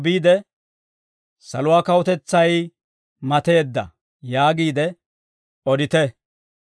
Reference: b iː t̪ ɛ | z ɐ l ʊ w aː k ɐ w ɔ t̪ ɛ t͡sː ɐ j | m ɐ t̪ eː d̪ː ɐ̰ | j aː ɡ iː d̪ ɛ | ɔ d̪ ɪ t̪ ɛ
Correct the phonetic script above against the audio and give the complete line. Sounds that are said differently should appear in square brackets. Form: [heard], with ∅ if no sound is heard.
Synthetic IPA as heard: b iː [d̪] ɛ | [s] ɐ l ʊ w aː k ɐ w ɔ t̪ ɛ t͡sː ɐ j | m ɐ t̪ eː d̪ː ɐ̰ | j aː ɡ iː d̪ ɛ | ɔ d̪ ɪ t̪ ɛ